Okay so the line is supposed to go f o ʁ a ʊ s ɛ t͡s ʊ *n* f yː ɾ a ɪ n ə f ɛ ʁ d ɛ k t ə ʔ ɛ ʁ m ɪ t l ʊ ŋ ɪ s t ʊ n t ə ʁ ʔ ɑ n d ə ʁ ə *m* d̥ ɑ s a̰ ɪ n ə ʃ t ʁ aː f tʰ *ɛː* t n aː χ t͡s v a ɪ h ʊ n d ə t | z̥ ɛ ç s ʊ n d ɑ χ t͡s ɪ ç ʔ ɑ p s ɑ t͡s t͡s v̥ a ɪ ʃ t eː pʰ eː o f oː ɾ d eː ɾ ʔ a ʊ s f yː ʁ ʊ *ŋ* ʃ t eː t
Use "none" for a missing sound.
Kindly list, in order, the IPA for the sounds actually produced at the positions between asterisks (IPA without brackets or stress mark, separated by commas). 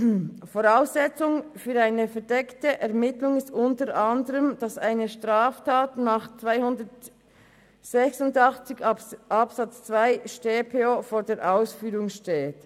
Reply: ŋ, m, aː, ŋ